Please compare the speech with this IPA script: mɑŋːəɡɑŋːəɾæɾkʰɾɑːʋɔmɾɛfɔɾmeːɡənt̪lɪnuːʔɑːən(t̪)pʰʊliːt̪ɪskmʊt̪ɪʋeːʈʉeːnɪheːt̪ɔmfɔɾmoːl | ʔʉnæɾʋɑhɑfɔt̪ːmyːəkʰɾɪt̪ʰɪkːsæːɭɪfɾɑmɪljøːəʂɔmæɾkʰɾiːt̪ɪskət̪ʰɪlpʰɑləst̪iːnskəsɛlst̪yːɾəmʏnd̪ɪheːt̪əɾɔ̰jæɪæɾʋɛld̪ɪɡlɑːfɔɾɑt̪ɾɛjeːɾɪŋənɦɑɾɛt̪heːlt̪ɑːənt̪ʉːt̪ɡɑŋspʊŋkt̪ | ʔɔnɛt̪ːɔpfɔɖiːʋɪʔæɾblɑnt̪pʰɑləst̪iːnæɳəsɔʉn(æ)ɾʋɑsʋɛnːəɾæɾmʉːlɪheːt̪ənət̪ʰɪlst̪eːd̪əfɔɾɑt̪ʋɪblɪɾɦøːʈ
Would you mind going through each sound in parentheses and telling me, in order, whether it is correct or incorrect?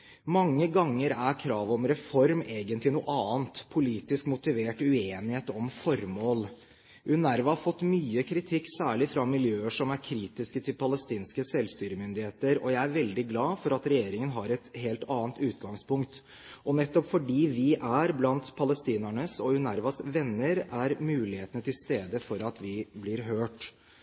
correct, correct

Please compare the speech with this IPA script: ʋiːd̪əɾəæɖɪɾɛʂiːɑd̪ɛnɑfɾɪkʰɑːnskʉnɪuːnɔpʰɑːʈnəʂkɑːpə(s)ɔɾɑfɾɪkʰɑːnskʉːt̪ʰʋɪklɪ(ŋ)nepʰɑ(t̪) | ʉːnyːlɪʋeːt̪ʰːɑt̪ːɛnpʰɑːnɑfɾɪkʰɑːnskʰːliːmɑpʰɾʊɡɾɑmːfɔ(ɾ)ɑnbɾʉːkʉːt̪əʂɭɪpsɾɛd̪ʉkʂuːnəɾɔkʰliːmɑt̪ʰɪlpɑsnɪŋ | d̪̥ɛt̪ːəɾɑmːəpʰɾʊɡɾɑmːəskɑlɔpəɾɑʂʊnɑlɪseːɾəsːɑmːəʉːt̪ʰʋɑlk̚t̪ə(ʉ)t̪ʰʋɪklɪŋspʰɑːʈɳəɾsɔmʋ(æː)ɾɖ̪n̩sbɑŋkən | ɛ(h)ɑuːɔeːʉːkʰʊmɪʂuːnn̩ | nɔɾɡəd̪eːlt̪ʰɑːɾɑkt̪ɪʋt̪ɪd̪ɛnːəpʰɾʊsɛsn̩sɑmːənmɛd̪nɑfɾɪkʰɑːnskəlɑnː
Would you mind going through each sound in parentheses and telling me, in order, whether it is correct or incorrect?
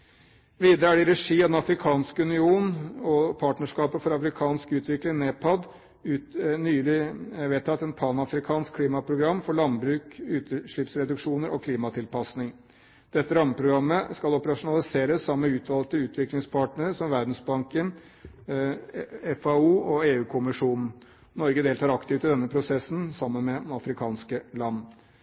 incorrect, correct, incorrect, incorrect, incorrect, incorrect, incorrect

